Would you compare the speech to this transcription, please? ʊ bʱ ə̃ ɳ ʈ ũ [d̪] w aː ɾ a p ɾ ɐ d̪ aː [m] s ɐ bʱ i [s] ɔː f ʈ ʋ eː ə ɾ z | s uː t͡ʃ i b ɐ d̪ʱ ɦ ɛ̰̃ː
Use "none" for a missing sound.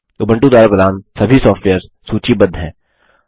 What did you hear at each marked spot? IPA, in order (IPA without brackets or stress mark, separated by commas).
d̪, n, s